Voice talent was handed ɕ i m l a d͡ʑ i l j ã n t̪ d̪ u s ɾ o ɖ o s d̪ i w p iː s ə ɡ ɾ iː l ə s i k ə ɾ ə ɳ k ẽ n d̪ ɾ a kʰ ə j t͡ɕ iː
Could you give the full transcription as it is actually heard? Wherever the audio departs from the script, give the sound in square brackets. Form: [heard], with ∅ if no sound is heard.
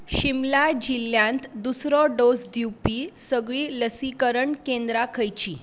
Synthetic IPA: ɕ i m l a d͡ʑ i l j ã n t̪ d̪ u s ɾ [ɔ] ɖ o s d̪ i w p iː s ə ɡ [ɭ] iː l ə s i k ə ɾ ə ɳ k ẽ n d̪ ɾ a kʰ ə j t͡ɕ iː